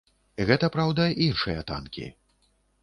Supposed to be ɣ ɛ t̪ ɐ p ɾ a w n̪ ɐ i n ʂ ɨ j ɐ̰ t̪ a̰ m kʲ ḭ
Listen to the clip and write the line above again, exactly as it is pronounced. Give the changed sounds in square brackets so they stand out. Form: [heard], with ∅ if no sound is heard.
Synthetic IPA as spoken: ɣ ɛ t̪ ɐ p ɾ a w [d̪] ɐ i n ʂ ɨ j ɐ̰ t̪ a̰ [n] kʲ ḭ